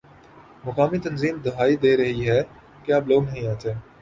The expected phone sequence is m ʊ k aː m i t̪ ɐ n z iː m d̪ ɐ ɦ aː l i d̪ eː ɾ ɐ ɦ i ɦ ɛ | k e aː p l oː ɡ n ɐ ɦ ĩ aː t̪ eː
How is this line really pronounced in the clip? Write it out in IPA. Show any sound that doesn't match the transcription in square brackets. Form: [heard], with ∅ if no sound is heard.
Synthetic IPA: m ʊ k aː m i t̪ ɐ n z iː m d̪ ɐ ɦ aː [∅] i d̪ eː ɾ ɐ ɦ i ɦ ɛ | k e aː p l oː ɡ n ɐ ɦ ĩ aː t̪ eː